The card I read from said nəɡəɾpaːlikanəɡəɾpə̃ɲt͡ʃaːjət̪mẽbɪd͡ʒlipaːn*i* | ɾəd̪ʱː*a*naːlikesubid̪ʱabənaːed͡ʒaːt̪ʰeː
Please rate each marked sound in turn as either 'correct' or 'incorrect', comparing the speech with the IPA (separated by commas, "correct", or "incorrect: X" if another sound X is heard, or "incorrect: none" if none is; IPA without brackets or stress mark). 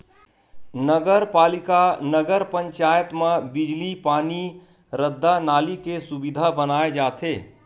correct, correct